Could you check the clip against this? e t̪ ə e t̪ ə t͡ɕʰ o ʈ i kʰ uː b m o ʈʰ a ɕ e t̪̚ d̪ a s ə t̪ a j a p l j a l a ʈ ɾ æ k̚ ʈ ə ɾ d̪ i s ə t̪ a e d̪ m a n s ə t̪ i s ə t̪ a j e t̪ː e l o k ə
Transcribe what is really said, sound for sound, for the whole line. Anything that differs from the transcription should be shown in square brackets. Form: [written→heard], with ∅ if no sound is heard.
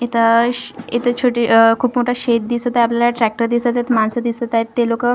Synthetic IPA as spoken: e t̪ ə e t̪ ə t͡ɕʰ o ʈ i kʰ uː [b→p] m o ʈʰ a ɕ e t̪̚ d̪ [a→i] s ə t̪ a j a p l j a l a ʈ ɾ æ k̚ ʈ ə ɾ d̪ i s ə t̪ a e [d̪→t̪] m a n s ə [t̪→d̪] i s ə t̪ a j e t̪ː e l o k ə